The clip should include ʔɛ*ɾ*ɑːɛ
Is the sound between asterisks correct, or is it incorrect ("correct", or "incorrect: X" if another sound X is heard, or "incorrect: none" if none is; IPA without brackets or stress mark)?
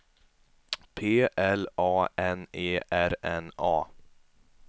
incorrect: l